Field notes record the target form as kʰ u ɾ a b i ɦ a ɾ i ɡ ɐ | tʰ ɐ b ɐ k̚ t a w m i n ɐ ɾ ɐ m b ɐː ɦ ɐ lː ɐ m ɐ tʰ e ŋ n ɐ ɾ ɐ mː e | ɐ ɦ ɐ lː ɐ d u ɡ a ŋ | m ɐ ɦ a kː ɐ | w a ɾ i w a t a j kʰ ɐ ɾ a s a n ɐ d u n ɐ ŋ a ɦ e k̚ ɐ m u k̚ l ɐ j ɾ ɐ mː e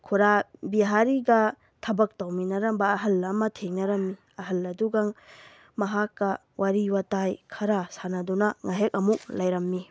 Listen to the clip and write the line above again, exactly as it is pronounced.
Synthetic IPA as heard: kʰ u ɾ a b i ɦ a ɾ i ɡ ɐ | tʰ ɐ b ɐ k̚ t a w m i n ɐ ɾ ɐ m b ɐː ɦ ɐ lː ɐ m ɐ tʰ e ŋ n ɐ ɾ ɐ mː i | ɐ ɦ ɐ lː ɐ d u ɡ a ŋ | m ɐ ɦ a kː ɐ | w a ɾ i w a t a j kʰ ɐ ɾ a s a n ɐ d u n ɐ ŋ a ɦ e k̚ ɐ m u k̚ l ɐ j ɾ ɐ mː i